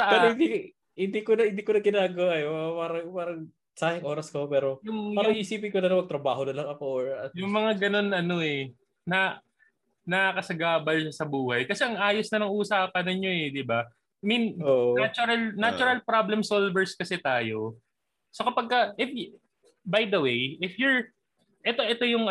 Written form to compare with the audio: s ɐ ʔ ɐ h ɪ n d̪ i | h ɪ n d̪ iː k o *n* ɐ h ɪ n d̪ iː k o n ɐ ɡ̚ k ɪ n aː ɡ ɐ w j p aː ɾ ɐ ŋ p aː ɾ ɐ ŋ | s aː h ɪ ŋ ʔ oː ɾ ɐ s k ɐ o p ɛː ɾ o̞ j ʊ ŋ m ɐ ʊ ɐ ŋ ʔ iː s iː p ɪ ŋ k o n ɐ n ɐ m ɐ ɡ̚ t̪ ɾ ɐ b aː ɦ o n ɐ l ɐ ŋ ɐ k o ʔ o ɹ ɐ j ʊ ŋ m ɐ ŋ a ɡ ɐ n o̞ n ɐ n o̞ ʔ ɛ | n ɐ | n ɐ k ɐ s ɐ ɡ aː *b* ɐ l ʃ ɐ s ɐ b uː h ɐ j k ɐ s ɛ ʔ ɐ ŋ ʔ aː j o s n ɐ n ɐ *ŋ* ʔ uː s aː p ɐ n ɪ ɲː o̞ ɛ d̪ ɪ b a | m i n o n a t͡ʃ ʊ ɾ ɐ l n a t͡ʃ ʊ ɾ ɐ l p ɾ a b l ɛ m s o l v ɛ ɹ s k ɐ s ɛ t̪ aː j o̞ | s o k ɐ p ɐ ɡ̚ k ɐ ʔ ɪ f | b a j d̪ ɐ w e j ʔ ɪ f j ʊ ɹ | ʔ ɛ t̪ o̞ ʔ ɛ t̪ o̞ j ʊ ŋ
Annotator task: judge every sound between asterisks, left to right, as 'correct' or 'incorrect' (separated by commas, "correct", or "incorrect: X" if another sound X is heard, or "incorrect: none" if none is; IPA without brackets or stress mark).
correct, correct, correct